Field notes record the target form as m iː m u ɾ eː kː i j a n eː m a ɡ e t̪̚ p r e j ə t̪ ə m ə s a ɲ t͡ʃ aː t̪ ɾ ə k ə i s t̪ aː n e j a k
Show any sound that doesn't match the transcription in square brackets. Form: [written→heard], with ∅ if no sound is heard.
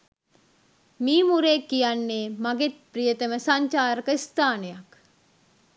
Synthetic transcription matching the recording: m iː m u ɾ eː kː i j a [n→nː] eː m a ɡ e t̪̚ p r [e→i] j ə t̪ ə m ə s a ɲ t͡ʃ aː [t̪→∅] ɾ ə k ə i s t̪ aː n e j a k